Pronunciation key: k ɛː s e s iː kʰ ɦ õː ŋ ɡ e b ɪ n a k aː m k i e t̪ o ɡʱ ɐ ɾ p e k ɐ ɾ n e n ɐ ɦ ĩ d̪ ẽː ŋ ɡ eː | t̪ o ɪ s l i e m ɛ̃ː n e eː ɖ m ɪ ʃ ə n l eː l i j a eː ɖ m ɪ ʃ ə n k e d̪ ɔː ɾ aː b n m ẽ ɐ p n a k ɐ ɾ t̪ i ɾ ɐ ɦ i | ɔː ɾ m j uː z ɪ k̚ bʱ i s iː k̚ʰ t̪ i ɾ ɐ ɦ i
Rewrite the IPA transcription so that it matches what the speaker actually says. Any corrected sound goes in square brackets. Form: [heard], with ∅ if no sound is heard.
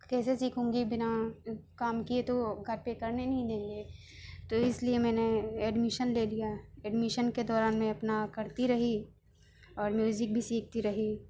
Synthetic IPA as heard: k ɛː s e s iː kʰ ɦ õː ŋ ɡ [i] b ɪ n a k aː m k i e t̪ o ɡʱ ɐ ɾ p e k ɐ ɾ n e n ɐ ɦ ĩ d̪ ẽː ŋ ɡ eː | t̪ o ɪ s l i e m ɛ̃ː n e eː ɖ m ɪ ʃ ə n l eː l i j a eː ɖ m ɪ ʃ ə n k e d̪ ɔː ɾ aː [∅] n m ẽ ɐ p n a k ɐ ɾ t̪ i ɾ ɐ ɦ i | ɔː ɾ m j uː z ɪ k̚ bʱ i s iː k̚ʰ t̪ i ɾ ɐ ɦ i